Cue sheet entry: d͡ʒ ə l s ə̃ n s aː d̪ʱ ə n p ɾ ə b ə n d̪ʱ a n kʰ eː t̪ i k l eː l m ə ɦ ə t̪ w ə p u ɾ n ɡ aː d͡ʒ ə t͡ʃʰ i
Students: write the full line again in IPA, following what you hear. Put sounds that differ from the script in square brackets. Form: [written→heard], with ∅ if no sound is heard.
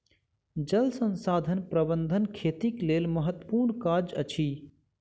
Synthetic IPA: d͡ʒ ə l s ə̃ n s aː d̪ʱ ə n p ɾ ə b ə n d̪ʱ [a→ə] n kʰ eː t̪ i k l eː l m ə ɦ ə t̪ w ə p u ɾ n [ɡ→k] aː d͡ʒ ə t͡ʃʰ i

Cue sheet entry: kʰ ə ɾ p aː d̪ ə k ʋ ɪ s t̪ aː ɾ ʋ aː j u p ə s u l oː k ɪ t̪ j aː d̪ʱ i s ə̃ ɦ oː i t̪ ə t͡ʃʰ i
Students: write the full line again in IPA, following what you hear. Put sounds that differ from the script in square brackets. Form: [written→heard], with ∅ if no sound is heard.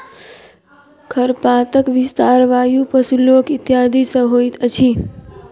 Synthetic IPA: kʰ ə ɾ p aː [d̪→t̪] ə k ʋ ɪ s t̪ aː ɾ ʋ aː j u p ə s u l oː k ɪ t̪ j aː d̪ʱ i s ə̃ ɦ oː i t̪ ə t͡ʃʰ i

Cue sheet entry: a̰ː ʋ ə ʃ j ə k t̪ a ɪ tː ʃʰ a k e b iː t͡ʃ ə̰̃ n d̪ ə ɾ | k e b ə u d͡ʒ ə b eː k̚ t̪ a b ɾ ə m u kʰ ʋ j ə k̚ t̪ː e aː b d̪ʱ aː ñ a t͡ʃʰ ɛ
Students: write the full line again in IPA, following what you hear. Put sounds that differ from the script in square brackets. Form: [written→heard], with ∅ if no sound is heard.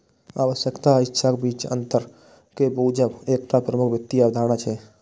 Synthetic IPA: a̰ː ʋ ə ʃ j ə k t̪ a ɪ tː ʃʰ a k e b iː t͡ʃ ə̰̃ n [d̪→t̪] ə ɾ | k e b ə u d͡ʒ ə b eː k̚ t̪ a [b→p] ɾ ə m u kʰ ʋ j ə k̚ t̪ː [e→i] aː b d̪ʱ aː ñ a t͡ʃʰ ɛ

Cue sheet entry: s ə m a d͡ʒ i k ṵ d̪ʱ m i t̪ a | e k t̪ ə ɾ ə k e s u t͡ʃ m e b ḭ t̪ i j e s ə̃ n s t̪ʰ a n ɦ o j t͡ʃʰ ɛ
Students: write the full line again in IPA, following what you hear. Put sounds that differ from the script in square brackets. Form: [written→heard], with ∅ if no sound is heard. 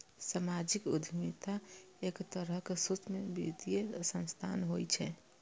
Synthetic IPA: s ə m a d͡ʒ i k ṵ d̪ʱ m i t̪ a | e k t̪ ə ɾ ə k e s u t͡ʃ m e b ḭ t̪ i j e s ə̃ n s t̪ʰ a n ɦ o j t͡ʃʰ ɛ

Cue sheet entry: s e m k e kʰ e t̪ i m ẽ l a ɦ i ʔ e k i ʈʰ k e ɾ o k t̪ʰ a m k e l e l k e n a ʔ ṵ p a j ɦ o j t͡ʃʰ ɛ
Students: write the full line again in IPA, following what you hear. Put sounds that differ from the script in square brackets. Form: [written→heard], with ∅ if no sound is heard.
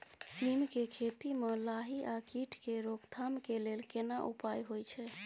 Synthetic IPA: s [e→i] m k e kʰ e t̪ i m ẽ l a ɦ i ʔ [e→a] k i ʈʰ k e ɾ o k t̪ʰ a m k e l e l k e n a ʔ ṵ p a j ɦ o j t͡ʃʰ ɛ

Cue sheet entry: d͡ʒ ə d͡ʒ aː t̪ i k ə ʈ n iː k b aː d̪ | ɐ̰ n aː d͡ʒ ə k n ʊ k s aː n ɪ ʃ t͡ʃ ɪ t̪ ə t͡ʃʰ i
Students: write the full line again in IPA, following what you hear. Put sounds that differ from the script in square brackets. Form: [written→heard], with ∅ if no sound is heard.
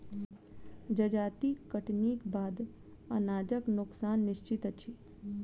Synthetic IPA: d͡ʒ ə d͡ʒ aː t̪ i k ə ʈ n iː k b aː d̪ | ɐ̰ n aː d͡ʒ ə k n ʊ k s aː [n→nː] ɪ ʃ t͡ʃ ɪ t̪ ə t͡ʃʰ i

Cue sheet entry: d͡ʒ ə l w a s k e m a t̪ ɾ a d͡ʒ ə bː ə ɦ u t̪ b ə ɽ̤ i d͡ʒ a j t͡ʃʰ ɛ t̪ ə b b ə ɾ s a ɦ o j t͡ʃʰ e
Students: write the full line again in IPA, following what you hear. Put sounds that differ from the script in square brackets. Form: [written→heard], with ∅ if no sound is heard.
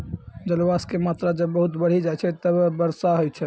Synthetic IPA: d͡ʒ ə l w a s k e m a t̪ ɾ a d͡ʒ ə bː ə ɦ u t̪ b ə ɽ̤ i d͡ʒ a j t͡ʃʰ ɛ t̪ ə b b ə ɾ s a ɦ o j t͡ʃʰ [e→ɛ]

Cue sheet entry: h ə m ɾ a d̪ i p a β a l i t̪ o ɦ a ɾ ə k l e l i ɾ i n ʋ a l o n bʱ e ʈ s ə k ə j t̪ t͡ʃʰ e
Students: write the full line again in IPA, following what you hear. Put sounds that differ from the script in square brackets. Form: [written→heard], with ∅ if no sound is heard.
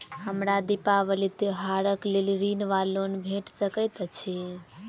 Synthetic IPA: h ə m ɾ a d̪ i p a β [a→ə] l i t̪ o ɦ a ɾ ə k l e l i ɾ i n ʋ a l o n bʱ e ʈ s ə k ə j t̪ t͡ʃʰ [e→i]

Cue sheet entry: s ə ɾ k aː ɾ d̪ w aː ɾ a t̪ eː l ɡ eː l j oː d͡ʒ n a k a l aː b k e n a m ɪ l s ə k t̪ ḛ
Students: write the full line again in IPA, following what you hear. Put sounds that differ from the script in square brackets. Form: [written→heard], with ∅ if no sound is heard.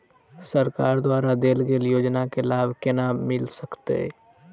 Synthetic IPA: s ə ɾ k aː ɾ d̪ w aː ɾ a [t̪→d̪] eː l ɡ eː l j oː d͡ʒ n a k [a→e] l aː b k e n a m ɪ l s ə k t̪ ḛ

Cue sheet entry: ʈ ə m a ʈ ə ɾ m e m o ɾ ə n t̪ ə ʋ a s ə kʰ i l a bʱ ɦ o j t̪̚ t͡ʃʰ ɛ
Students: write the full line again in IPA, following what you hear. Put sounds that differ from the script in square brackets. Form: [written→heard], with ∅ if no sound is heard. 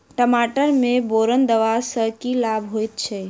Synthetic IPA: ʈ ə m a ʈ ə ɾ m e [m→b] o ɾ ə n [t̪→d̪] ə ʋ a s ə [kʰ→k] i l a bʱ ɦ o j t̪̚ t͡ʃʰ ɛ

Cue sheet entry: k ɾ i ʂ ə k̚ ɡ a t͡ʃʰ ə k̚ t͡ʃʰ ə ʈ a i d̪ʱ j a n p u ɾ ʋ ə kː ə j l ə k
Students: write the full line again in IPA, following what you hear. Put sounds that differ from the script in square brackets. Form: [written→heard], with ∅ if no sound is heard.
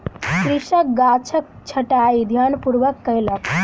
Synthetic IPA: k ɾ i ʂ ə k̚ ɡ a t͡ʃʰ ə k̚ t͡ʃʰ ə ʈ a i d̪ʱ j a n p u ɾ ʋ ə kː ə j l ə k

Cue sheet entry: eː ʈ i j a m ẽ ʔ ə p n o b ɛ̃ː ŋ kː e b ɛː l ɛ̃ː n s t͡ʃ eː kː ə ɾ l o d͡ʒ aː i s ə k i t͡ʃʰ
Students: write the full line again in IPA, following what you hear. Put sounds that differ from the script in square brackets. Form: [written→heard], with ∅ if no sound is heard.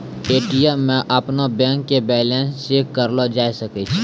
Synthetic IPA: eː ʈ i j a m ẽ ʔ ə p n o b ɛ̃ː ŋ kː e b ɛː l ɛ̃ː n s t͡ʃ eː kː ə ɾ l o d͡ʒ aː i s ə k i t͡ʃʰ

